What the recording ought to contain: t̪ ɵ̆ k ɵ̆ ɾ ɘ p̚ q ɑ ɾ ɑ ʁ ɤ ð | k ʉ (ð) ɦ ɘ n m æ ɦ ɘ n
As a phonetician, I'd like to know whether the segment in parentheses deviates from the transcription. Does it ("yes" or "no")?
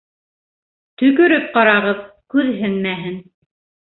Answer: no